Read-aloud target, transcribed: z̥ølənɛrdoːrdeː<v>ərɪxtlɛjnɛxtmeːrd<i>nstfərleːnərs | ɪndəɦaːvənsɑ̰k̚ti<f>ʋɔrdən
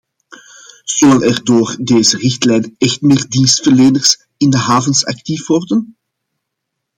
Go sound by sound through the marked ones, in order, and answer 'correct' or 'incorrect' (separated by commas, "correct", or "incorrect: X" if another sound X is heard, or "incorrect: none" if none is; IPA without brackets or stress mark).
incorrect: z, correct, correct